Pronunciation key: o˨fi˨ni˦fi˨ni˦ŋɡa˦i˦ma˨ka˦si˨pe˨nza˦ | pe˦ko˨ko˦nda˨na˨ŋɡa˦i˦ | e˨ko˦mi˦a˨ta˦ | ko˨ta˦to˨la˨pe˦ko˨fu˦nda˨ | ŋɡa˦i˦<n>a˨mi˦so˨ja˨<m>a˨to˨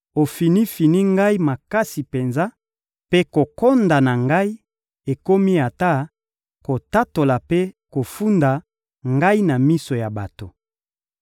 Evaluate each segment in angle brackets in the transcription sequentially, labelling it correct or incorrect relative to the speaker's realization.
correct, incorrect: b

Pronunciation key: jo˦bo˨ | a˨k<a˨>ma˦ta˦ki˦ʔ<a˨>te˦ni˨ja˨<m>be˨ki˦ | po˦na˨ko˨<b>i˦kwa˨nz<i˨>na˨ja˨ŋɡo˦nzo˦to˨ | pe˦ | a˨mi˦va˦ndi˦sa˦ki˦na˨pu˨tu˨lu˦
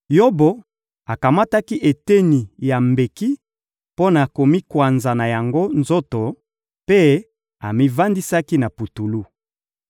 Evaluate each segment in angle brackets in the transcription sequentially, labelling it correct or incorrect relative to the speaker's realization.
correct, incorrect: e˨, correct, incorrect: m, incorrect: a˨

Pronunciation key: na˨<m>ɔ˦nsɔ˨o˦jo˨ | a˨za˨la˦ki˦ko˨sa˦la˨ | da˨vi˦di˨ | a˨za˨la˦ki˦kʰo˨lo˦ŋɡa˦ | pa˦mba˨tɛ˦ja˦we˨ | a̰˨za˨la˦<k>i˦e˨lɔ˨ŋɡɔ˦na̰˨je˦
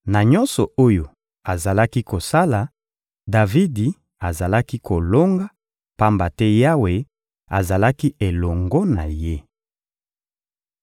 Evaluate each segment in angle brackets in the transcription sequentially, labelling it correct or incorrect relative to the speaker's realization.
incorrect: ɲ, correct

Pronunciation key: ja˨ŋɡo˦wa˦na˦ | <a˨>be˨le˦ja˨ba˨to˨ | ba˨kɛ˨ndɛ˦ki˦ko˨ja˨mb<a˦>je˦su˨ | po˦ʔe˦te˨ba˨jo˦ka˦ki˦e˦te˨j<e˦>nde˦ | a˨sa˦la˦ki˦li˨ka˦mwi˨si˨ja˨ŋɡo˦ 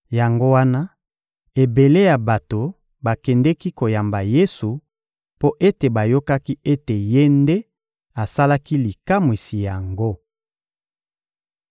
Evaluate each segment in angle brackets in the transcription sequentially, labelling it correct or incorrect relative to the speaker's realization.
incorrect: e˨, incorrect: a˨, correct

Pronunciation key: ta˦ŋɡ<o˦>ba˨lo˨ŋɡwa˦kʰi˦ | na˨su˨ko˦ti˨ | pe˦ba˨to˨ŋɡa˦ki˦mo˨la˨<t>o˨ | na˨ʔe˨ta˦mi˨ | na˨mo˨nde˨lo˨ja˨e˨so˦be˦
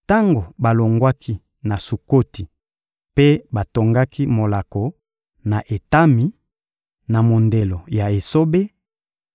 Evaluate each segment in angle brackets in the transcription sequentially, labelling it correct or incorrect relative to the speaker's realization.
incorrect: o˨, incorrect: k

